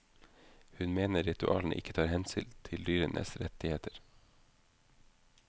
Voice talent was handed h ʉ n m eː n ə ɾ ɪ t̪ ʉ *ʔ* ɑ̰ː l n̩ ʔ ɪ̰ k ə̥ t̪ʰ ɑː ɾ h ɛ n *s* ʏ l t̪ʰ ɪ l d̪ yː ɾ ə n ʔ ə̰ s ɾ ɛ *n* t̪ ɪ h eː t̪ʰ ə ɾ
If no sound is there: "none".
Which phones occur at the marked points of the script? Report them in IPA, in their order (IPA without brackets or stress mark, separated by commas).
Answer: ʔ, s, none